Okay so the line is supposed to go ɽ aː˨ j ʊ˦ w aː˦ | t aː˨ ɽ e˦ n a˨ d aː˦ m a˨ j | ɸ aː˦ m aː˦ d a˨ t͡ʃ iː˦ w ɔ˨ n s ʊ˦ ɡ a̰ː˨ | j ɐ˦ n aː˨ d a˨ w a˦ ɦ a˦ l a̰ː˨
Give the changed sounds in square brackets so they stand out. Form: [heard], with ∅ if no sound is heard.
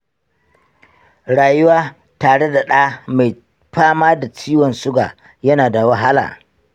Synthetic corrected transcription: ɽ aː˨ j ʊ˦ w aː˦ | t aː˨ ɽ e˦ [d] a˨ [ɗ] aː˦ m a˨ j | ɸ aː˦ m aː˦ d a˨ t͡ʃ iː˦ w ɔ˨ n s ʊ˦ ɡ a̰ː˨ | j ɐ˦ n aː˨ d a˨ w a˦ ɦ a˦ l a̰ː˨